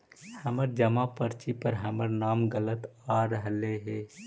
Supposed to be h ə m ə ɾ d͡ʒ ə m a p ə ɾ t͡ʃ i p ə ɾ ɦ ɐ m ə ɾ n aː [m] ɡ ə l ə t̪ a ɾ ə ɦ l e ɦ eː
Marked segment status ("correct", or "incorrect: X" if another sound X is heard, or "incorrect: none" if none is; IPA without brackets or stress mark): correct